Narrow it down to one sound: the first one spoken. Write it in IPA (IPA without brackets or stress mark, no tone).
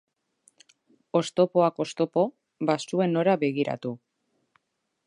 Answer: o̞